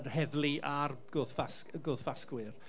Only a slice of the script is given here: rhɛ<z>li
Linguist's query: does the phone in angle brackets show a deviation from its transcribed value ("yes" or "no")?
yes